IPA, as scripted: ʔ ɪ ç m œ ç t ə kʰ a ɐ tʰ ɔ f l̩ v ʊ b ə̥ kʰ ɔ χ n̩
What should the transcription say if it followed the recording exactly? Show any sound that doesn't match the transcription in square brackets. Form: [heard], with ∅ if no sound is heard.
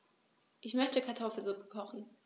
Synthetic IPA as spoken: ʔ ɪ ç m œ ç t ə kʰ a ɐ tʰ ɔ f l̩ [z] ʊ [p] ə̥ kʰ ɔ χ n̩